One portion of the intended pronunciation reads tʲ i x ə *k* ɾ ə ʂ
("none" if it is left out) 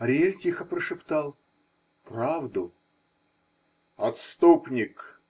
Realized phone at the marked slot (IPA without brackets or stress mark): p